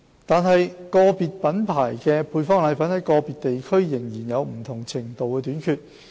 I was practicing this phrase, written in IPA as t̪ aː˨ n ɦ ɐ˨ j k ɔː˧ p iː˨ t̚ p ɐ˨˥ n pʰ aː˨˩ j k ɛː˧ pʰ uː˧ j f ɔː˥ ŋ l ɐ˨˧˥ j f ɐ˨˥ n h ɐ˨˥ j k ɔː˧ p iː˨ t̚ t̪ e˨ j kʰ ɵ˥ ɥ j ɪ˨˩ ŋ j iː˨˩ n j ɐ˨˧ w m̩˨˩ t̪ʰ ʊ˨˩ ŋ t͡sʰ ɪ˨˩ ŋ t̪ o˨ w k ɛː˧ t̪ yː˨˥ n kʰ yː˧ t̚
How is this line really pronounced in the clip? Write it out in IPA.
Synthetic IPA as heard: t̪ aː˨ n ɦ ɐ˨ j k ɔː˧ p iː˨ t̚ p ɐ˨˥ n pʰ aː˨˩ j k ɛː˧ pʰ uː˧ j f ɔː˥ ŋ l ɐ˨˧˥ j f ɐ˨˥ n h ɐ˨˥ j k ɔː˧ p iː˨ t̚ t̪ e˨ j kʰ ɵ˥ ɥ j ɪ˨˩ ŋ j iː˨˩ n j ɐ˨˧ w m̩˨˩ t̪ʰ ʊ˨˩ ŋ t͡sʰ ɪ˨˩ ŋ t̪ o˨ w k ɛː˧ t̪ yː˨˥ n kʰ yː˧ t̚